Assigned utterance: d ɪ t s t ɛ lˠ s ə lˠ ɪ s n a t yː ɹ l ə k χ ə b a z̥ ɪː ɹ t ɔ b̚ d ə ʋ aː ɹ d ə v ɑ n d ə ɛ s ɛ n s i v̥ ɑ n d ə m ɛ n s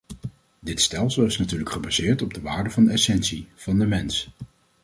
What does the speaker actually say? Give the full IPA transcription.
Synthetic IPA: d ɪ t s t ɛ lˠ s ə lˠ ɪ s n a t yː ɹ l ə k χ ə b a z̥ ɪː ɹ t ɔ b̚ d ə ʋ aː ɹ d ə v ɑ n d ə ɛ s ɛ n s i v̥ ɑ n d ə m ɛ n s